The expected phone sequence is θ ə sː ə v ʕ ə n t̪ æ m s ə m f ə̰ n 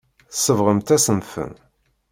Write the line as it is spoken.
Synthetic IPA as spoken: θ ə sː ə v ʁ ə m t̪ æ s ə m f ə̰ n